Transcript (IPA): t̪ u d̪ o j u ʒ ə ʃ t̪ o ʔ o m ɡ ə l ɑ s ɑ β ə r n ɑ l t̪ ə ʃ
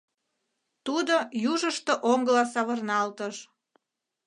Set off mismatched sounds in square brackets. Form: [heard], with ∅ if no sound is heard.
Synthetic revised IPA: t̪ u d̪ o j u ʒ ə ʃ t̪ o ʔ o [ŋ] ɡ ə l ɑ s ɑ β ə r n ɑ l t̪ ə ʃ